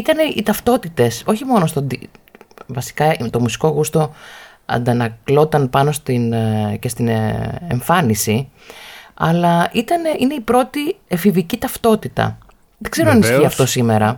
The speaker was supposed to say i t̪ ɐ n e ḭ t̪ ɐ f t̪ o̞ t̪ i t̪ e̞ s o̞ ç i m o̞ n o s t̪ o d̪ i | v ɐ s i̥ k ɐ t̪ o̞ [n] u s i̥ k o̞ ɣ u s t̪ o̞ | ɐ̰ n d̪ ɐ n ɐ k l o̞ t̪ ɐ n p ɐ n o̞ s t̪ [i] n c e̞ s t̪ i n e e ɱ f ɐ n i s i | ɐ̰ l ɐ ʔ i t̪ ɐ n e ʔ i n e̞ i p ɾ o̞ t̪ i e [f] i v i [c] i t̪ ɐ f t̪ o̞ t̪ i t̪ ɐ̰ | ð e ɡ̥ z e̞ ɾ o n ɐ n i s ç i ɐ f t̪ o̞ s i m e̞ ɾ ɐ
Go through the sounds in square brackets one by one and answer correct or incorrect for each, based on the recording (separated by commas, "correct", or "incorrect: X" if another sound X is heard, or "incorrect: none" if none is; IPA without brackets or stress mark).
incorrect: m, correct, correct, correct